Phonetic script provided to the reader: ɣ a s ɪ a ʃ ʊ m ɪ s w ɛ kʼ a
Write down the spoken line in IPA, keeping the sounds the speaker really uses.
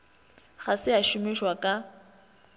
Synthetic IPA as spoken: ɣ a s ɪ a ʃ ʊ m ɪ ʃ w a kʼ a